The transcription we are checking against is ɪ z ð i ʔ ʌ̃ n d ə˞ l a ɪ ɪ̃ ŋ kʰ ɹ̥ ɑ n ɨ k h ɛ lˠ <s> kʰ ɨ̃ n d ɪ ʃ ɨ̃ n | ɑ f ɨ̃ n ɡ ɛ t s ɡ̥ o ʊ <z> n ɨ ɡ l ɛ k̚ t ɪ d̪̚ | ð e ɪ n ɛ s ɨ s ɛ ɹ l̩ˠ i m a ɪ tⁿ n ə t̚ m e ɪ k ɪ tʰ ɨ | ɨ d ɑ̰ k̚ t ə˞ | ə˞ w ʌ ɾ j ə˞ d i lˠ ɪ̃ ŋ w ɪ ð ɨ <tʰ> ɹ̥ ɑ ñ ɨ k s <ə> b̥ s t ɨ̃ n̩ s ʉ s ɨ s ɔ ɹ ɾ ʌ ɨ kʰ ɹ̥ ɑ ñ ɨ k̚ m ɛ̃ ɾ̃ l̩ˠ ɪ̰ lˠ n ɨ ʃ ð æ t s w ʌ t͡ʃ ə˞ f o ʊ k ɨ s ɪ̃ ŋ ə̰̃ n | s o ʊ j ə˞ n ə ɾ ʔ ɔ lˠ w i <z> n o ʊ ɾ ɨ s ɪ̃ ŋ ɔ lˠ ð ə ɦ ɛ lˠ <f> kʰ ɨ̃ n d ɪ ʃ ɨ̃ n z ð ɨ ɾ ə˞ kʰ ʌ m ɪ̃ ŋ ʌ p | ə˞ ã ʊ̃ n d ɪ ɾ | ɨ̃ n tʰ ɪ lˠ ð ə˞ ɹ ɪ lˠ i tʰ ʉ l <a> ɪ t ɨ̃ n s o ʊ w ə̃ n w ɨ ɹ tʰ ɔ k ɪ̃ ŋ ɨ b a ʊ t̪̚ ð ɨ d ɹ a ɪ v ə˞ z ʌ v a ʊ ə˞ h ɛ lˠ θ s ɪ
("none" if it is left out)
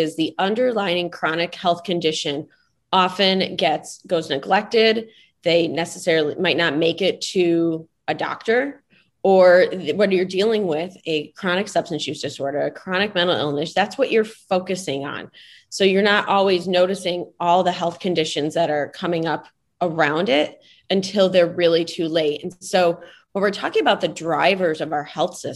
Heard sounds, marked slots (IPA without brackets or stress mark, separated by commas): θ, z, kʰ, ʌ, z, θ, e